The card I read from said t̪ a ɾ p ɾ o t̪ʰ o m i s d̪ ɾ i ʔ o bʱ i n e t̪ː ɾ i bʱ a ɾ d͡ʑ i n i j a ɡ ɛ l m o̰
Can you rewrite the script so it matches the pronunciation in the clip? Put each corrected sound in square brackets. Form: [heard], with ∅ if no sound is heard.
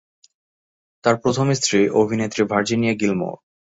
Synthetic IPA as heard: t̪ a ɾ p ɾ o t̪ʰ o m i s [t̪] ɾ i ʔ o bʱ i n e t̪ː ɾ i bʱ a ɾ d͡ʑ i n i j a ɡ [i] l m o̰